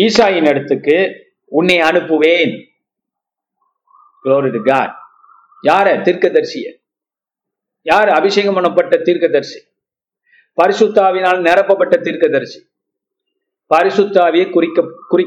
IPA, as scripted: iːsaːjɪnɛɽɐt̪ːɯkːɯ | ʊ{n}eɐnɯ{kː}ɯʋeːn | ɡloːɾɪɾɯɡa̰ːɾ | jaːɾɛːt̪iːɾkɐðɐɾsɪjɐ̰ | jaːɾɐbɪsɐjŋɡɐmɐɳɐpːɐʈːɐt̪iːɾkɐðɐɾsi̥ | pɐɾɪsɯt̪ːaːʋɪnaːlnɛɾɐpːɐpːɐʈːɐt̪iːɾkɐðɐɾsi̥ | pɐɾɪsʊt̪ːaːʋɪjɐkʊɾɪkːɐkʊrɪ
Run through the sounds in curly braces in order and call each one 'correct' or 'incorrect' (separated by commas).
incorrect, incorrect